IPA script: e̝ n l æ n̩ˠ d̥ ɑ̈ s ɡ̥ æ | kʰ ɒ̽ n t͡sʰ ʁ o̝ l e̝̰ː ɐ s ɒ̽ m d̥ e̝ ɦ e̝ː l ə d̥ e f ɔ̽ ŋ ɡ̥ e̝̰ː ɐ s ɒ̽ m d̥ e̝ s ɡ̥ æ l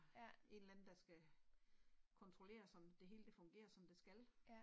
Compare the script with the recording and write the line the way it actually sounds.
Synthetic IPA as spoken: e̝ n l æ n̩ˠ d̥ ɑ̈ s ɡ̥ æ | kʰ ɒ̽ n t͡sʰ ʁ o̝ l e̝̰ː ɐ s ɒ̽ m d̥ e̝ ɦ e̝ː l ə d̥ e f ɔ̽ ŋ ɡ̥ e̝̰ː ɐ s ɒ̽ m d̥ e̝ s ɡ̥ æ l